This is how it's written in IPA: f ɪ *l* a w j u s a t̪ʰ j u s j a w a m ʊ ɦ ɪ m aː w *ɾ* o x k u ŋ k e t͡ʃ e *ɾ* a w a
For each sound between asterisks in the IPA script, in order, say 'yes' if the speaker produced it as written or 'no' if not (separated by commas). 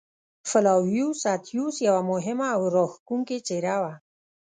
yes, yes, yes